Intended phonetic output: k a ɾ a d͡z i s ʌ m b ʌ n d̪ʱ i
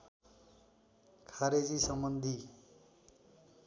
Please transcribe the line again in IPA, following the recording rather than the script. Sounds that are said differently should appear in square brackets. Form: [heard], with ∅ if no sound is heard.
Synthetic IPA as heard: [kʰ] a ɾ [e] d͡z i s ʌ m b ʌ n d̪ʱ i